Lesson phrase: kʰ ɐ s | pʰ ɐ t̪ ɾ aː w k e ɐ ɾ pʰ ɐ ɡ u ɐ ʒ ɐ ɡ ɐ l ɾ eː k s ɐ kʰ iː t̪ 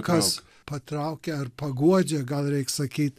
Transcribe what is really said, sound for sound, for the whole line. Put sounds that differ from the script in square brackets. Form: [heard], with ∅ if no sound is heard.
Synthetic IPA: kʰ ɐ s | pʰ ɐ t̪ ɾ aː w k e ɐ ɾ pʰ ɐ ɡ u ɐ [d͡ʒ] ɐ ɡ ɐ l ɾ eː k s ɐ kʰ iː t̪